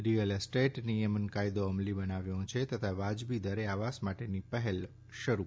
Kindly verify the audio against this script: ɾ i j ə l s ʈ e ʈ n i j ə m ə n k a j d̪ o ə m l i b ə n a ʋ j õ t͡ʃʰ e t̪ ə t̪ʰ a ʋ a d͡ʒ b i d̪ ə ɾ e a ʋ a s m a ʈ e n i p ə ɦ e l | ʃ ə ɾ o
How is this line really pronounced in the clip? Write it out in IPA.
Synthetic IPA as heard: ɾ i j ə l s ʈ e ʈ n i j ə m ə n k a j d̪ o ə m l i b ə n a ʋ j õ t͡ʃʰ e t̪ ə t̪ʰ a ʋ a d͡ʒ b i d̪ ə ɾ e a ʋ a s m a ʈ e n i p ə ɦ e l | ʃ ə ɾ u